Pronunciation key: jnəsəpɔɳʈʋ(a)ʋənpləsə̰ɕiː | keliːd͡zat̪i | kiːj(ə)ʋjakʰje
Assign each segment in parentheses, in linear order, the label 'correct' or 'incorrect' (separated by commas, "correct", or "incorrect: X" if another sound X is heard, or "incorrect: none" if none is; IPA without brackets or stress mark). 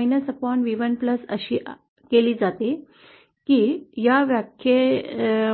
incorrect: i, incorrect: a